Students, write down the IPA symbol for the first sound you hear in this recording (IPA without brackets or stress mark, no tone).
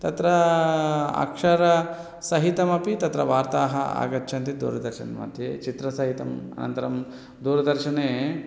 t̪